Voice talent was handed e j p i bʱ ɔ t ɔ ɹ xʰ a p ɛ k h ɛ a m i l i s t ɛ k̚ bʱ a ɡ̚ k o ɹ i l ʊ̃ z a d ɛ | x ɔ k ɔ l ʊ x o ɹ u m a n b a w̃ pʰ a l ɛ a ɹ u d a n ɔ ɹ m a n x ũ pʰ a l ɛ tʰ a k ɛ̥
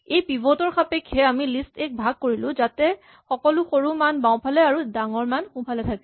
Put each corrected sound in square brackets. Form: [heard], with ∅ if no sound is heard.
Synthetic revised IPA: e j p i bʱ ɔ t ɔ ɹ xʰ a p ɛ k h ɛ a m i l i s t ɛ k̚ bʱ a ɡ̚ k o ɹ i l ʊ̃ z a [t] ɛ | x ɔ k ɔ l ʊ x o ɹ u m a n b a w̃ pʰ a l ɛ a ɹ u d a [ŋ] ɔ ɹ m a n x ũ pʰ a l ɛ tʰ a k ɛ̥